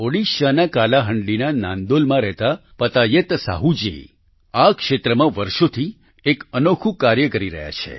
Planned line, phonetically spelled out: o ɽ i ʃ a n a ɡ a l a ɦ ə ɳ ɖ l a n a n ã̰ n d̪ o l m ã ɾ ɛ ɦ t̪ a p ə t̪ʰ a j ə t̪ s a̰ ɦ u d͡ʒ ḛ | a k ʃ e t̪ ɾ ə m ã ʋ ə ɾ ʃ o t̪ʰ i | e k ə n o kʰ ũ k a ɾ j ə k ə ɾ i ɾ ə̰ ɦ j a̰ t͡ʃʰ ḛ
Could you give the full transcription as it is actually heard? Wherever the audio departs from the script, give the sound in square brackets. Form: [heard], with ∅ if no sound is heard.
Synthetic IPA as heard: o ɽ i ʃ a n a [k] a l a ɦ ə ɳ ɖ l [i] n a n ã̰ n d̪ o l m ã ɾ ɛ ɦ t̪ a p ə [t̪] a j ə t̪ s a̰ ɦ u d͡ʒ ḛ | a k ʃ e t̪ ɾ ə m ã ʋ ə ɾ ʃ o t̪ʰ i | e k ə n o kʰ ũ k a ɾ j ə k ə ɾ i ɾ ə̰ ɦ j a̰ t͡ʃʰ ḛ